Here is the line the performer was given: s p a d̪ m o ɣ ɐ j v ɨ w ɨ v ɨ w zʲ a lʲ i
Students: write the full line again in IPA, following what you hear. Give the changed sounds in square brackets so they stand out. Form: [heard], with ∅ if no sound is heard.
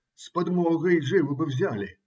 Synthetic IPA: s p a d̪ m [ɔ] ɣ ɐ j [ʐ] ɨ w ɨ [b] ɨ w zʲ a lʲ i